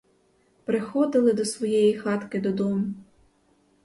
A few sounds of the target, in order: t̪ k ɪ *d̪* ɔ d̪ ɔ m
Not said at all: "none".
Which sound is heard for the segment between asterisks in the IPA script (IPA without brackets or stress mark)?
d̪